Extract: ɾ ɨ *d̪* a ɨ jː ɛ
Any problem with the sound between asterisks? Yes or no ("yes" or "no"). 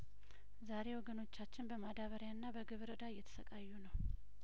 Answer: no